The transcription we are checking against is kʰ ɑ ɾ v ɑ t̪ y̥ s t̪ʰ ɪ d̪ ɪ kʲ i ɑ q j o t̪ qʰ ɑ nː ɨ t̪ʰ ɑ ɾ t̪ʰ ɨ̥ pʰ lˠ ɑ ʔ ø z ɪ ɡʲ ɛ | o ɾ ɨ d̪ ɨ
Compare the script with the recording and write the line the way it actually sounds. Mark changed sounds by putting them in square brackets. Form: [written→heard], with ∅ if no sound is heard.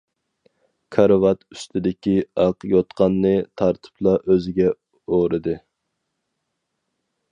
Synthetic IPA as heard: kʰ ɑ ɾ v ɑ t̪ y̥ s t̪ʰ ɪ d̪ ɪ kʲ i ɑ q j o t̪ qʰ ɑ nː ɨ t̪ʰ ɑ ɾ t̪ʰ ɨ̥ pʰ lˠ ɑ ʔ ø z ɪ ɡʲ ɛ | o ɾ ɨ d̪ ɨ